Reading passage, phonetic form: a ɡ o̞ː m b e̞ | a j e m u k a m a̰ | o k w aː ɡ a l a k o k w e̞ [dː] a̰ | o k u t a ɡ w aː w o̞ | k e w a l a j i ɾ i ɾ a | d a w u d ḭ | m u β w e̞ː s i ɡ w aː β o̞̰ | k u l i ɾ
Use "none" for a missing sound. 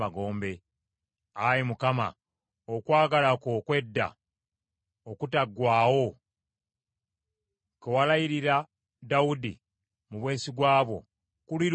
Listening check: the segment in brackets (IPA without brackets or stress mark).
dː